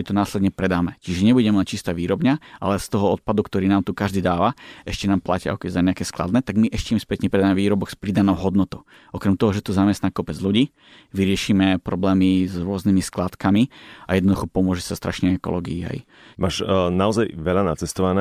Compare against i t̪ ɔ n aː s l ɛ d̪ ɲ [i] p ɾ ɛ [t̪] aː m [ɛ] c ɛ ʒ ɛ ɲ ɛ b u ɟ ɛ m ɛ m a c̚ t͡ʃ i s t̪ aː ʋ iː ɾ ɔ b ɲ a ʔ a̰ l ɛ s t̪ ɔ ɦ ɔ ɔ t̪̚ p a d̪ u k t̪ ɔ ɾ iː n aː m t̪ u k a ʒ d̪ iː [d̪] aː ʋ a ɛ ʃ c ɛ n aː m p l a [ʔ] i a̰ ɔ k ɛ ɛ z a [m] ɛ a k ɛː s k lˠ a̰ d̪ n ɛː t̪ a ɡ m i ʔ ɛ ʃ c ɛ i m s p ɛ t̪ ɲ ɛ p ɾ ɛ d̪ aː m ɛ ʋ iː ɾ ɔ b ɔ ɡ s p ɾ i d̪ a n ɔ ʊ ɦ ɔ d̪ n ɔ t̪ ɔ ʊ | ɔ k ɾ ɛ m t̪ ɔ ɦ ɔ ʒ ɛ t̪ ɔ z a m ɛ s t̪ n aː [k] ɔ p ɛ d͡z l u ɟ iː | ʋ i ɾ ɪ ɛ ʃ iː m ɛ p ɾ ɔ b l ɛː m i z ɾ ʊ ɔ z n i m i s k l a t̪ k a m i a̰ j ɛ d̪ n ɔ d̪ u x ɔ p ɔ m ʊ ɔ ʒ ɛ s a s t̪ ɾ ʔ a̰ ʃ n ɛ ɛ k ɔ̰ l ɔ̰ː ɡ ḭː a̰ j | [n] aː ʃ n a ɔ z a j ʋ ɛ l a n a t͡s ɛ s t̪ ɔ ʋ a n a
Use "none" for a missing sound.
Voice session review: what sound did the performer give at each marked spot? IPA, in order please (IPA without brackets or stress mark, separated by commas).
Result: ɛ, d̪, ɛ, d̪, c, ɲ, k, m